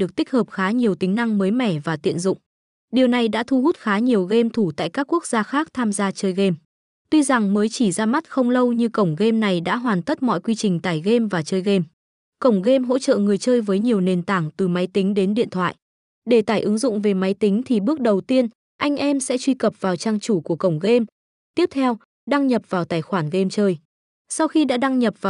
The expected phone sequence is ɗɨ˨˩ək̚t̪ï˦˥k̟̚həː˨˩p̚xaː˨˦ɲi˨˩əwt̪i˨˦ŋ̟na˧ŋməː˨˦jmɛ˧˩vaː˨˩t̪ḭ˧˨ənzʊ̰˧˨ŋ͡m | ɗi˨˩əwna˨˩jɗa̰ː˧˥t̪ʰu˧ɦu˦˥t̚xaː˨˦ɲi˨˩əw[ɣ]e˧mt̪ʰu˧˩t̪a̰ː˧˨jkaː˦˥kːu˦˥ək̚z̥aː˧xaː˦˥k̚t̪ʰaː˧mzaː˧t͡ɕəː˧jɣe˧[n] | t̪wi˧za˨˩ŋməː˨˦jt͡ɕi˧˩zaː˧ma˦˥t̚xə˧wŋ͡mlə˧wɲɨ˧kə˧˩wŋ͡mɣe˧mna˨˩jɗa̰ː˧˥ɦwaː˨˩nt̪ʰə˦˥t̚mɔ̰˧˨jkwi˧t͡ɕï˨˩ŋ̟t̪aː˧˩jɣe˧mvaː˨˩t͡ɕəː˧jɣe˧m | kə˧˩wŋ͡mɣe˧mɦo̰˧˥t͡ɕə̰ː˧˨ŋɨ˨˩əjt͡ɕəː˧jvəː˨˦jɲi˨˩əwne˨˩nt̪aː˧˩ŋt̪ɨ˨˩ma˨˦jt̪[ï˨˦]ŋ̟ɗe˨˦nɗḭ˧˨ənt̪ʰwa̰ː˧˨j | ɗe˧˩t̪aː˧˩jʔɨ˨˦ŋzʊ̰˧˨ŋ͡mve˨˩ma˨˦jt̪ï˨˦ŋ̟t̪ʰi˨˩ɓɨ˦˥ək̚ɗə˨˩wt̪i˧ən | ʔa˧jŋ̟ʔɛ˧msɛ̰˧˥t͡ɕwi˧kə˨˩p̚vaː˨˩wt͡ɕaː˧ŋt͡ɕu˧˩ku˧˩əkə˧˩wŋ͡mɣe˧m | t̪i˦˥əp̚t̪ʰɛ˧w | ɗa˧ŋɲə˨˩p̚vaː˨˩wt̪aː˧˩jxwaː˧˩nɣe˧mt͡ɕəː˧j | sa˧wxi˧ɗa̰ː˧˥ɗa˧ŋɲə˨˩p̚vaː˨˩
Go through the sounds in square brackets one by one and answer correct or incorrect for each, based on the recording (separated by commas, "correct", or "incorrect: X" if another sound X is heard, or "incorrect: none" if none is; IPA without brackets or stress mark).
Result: correct, incorrect: m, correct